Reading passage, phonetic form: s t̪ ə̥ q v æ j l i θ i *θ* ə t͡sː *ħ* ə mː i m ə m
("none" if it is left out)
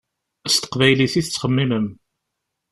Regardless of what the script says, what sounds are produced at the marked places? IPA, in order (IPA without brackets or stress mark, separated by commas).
θ, χ